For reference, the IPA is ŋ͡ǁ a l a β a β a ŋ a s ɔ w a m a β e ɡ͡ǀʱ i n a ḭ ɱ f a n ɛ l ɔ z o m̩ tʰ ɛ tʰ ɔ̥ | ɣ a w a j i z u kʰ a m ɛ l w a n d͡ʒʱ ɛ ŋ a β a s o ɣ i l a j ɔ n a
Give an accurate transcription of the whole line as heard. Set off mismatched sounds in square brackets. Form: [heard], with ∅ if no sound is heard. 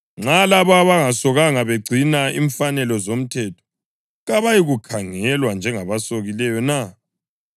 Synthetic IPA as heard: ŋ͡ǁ a l a β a β a ŋ a s ɔ [ɣ] a [ŋ] a β e ɡ͡ǀʱ i n a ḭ ɱ f a n ɛ l ɔ z o m̩ tʰ ɛ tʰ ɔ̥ | ɣ a [β] a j i [ɣ] u kʰ a [ŋ] ɛ l w a n d͡ʒʱ ɛ ŋ a β a s o ɣ i l [ɛ] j ɔ n a